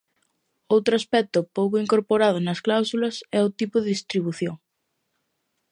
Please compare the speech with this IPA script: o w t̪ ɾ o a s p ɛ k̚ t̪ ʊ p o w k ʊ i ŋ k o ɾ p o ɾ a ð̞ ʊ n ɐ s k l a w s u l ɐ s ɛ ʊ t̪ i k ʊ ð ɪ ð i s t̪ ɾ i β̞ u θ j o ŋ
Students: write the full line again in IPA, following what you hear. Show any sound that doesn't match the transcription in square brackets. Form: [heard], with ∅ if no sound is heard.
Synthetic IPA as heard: o w t̪ ɾ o a s p ɛ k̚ t̪ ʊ p o w k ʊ i ŋ k o ɾ p o ɾ a ð̞ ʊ n ɐ s k l a w s u l ɐ s ɛ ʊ t̪ i [p] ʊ ð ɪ ð i s t̪ ɾ i β̞ u θ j o ŋ